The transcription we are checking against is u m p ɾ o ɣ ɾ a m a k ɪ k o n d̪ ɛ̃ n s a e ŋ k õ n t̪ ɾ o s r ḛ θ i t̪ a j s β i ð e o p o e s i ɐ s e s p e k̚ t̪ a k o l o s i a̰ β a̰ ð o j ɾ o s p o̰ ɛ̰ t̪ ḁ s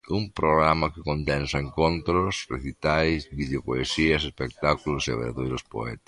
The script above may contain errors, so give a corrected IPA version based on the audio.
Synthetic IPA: u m p ɾ o ɣ ɾ a m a k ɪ k o n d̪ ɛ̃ n s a e ŋ k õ n t̪ ɾ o s r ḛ θ i t̪ a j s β i ð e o p o e s i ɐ s e s p e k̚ t̪ a k u l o s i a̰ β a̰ ð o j ɾ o s p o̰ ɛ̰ t̪ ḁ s